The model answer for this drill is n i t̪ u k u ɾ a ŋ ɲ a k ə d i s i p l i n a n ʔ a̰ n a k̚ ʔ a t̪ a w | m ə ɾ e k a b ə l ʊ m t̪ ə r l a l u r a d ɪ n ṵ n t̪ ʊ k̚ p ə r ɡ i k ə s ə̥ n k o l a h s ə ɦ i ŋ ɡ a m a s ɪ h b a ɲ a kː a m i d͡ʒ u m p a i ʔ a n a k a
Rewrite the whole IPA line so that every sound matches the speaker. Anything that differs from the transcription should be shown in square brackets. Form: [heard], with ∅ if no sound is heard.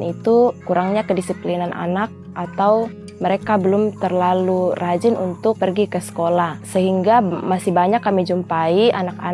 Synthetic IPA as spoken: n i t̪ u k u ɾ a ŋ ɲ a k ə d i s i p l i n a n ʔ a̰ n a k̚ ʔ a t̪ a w | m ə ɾ e k a b ə l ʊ m t̪ ə r l a l u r a [d͡ʒ] ɪ n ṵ n t̪ ʊ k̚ p ə r ɡ i k ə s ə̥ [∅] k o l a h s ə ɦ i ŋ ɡ a m a s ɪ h b a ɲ a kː a m i d͡ʒ u m p a i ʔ a n a k a